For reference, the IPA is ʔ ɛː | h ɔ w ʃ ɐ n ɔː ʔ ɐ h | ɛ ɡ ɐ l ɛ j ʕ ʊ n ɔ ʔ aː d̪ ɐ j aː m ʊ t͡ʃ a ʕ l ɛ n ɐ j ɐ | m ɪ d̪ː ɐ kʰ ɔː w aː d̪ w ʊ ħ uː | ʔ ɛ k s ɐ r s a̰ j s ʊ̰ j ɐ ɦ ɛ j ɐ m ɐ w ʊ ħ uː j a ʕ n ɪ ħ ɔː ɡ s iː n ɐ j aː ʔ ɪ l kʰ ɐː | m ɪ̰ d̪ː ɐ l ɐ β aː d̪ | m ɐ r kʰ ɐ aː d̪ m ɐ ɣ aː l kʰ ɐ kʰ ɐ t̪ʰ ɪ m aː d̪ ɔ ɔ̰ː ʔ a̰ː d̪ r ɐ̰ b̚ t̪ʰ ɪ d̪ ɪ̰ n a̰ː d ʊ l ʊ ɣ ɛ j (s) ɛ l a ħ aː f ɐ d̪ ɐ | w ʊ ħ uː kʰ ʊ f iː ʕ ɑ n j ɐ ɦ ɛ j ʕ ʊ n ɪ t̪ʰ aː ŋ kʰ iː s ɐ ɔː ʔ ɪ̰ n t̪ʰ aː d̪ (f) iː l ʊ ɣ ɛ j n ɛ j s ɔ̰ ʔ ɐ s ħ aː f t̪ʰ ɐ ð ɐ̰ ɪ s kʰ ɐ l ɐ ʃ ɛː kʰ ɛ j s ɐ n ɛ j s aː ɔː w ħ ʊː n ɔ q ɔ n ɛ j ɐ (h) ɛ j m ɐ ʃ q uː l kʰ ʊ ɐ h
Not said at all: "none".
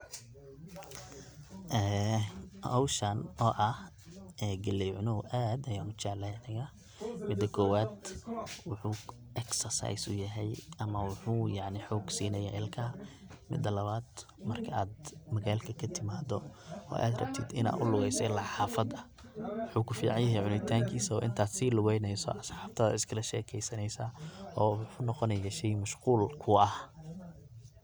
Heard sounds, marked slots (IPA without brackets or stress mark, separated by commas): s, s, ʃ